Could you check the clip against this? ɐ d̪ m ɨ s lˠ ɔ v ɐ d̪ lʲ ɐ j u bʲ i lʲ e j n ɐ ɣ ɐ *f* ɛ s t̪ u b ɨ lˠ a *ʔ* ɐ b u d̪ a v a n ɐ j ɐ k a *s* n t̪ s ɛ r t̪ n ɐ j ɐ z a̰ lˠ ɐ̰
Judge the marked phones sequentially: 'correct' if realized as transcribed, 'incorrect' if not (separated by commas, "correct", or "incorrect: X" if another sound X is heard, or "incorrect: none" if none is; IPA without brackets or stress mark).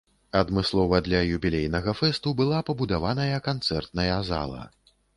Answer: correct, incorrect: p, incorrect: none